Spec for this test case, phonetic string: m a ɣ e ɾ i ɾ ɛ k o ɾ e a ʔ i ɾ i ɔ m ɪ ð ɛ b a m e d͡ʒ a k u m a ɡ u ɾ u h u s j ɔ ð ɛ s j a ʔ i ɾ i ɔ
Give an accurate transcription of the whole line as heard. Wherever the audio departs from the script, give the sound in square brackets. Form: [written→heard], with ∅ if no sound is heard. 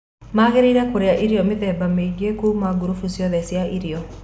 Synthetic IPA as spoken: m a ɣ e ɾ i ɾ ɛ k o ɾ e a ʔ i ɾ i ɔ m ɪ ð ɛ b a m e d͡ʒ [a→e] k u m a ɡ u ɾ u [h→f] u s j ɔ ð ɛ s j a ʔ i ɾ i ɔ